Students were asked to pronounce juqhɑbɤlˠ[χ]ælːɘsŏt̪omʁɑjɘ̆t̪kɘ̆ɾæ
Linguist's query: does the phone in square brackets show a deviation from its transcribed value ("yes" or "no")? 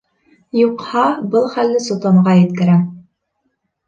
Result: no